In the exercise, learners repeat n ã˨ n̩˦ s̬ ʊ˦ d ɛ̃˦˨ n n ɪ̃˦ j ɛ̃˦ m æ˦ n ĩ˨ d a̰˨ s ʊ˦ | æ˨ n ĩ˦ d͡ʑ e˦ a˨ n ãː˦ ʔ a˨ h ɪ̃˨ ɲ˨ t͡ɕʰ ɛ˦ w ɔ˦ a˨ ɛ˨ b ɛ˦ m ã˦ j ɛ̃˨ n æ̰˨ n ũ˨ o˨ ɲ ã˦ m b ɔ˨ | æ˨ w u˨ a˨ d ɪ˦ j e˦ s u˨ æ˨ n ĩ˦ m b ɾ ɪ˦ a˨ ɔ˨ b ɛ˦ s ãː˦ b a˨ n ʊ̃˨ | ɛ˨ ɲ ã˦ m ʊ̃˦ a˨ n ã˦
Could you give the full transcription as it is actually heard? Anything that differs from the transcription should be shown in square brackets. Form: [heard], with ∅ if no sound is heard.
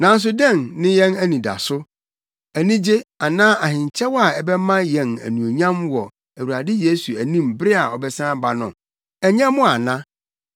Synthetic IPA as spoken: n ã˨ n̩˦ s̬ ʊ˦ d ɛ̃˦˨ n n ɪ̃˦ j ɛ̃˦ [n] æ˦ n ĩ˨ d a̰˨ s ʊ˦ | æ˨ n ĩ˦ d͡ʑ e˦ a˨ n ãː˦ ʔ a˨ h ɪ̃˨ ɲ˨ t͡ɕʰ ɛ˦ w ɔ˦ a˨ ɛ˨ b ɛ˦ m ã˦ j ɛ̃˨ n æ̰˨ n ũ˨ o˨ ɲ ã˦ m [w] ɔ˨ | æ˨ w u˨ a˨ d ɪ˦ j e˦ s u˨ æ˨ n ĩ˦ m b ɾ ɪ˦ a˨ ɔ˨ b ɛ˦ s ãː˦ b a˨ n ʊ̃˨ | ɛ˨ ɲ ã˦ m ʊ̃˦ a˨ n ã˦